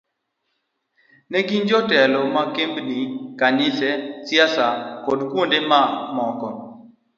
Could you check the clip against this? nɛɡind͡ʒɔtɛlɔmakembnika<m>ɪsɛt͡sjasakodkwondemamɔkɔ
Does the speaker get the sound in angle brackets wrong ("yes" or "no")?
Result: yes